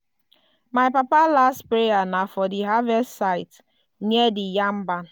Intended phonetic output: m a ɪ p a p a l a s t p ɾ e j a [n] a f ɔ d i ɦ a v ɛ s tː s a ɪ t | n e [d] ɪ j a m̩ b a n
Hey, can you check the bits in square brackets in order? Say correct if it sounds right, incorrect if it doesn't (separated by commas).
correct, correct